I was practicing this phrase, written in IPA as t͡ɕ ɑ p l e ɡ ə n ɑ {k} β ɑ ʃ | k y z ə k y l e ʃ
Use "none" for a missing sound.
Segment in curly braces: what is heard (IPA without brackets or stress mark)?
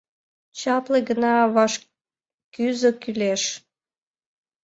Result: none